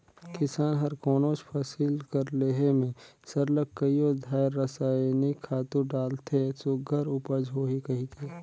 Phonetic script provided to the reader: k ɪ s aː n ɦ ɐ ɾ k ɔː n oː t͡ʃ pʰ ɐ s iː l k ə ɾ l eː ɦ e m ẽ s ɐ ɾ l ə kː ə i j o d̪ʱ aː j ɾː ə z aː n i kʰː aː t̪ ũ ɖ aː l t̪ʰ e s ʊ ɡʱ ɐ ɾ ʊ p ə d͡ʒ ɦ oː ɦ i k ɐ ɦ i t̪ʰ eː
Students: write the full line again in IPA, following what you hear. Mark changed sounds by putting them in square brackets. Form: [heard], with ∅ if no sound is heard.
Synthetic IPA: k ɪ s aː n ɦ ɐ ɾ k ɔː n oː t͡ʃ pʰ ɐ s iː l k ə ɾ l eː ɦ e m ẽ s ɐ ɾ l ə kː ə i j o d̪ʱ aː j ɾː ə [s] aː n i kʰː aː t̪ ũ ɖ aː l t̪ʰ e s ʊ ɡʱ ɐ ɾ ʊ p ə d͡ʒ ɦ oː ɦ i k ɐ ɦ i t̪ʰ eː